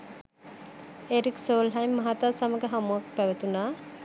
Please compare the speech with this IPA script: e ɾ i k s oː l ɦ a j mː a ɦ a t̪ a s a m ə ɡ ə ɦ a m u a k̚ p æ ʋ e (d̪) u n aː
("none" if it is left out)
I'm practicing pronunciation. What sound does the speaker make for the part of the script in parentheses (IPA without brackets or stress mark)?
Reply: t̪